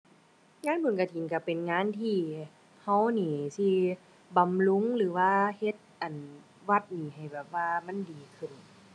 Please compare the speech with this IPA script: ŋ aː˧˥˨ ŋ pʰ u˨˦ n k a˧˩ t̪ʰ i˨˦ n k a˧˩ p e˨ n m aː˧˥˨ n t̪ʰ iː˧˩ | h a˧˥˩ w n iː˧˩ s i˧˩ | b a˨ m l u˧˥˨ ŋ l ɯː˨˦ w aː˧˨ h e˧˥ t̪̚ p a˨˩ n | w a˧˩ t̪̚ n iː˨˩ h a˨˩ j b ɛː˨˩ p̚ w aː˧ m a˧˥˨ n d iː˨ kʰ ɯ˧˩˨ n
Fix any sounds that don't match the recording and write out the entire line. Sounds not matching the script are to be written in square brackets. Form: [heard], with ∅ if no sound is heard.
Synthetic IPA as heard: ŋ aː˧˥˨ [n] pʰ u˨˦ n k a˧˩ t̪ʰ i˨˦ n k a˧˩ p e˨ n [ŋ] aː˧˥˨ n t̪ʰ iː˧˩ | h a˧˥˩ w n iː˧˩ s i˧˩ | b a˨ m l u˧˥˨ ŋ l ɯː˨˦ w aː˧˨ h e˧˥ t̪̚ [ʔ] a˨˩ n | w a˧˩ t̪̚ n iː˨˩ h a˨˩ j b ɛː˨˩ p̚ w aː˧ m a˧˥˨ n d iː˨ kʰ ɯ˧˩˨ n

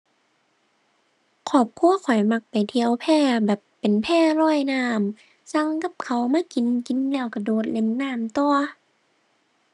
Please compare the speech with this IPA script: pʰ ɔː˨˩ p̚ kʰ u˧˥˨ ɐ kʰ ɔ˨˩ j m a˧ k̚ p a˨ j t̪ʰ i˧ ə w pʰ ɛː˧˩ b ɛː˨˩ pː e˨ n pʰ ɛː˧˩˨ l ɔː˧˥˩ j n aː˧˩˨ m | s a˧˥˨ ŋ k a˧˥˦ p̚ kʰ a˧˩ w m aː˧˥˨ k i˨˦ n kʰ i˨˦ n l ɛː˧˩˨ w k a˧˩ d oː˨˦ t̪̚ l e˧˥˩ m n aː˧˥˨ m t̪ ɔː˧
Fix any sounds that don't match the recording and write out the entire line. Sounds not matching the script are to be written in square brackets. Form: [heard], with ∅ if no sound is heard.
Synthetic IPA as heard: [kʰ] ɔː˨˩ p̚ kʰ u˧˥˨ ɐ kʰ ɔ˨˩ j m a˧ k̚ p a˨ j t̪ʰ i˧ ə w pʰ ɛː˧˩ b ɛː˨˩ pː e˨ n pʰ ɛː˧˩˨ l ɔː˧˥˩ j n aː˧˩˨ m | s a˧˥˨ ŋ k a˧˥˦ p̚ kʰ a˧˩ w m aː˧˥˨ k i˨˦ n [k] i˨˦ n l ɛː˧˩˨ w k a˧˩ d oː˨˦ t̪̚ l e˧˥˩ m n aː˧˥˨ m t̪ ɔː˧

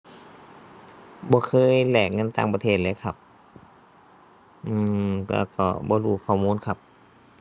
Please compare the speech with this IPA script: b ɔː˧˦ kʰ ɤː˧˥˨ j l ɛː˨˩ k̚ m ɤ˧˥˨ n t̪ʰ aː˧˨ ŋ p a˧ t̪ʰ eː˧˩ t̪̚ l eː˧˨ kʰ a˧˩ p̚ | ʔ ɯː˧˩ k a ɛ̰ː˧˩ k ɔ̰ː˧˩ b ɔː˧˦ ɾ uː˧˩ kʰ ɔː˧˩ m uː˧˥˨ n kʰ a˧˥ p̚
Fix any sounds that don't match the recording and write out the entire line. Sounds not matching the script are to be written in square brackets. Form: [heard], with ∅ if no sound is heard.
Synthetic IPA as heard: b ɔː˧˦ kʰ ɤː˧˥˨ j l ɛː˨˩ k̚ [ŋ] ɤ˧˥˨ n [t̪] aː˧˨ ŋ p a˧ t̪ʰ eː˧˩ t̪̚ l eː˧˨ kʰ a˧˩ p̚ | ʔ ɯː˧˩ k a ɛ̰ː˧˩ k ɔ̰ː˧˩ b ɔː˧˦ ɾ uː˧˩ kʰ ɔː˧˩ m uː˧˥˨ n kʰ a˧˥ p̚

